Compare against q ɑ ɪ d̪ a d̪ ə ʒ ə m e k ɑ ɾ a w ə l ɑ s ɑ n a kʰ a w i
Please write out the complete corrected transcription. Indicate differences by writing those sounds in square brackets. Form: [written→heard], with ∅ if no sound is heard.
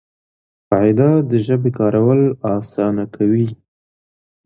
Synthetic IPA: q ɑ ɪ d̪ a d̪ ə ʒ ə [m→b] e k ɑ ɾ a w ə l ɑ s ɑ n a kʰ a w i